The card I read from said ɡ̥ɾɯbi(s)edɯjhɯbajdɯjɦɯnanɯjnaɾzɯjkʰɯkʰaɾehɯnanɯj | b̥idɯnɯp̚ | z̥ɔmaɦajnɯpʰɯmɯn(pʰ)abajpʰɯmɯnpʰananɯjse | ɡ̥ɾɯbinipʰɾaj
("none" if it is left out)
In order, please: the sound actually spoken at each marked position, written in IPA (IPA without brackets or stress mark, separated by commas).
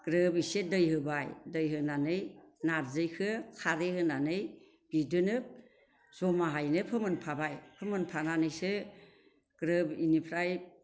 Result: s, pʰ